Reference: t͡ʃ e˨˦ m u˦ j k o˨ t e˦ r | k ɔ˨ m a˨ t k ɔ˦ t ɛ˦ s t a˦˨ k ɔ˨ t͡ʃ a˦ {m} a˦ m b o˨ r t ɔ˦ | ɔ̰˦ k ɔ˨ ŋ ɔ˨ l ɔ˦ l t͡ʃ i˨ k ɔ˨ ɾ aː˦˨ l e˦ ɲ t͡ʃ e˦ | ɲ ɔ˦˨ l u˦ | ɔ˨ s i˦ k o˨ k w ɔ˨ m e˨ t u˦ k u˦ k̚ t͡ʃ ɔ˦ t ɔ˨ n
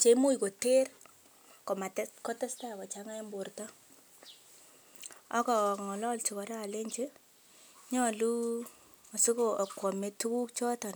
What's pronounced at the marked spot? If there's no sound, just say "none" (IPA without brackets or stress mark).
ŋ